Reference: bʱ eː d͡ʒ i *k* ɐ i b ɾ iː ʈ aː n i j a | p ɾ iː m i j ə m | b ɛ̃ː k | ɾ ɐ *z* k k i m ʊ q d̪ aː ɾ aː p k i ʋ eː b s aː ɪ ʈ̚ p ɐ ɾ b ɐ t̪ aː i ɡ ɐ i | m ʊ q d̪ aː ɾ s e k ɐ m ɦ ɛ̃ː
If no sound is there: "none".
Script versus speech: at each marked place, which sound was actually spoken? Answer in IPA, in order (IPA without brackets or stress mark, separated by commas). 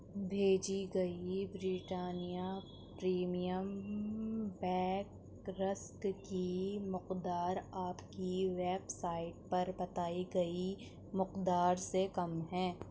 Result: ɡ, s